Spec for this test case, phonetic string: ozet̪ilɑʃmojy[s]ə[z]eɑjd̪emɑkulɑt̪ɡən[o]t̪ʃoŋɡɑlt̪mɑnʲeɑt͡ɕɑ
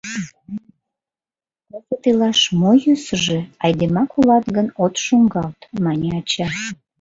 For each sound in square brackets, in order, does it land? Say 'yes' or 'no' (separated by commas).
yes, no, yes